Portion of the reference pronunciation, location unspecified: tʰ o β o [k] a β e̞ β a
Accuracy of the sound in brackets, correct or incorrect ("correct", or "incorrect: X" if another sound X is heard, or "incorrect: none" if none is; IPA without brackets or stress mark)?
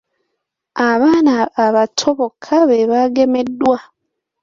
incorrect: kʰ